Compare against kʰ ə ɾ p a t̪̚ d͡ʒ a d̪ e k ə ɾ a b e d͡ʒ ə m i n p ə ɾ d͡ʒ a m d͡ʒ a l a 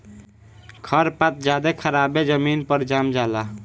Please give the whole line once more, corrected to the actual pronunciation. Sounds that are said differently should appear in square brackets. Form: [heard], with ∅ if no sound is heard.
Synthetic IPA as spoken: kʰ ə ɾ p a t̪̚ d͡ʒ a d̪ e [kʰ] ə ɾ a b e d͡ʒ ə m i n p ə ɾ d͡ʒ a m d͡ʒ a l a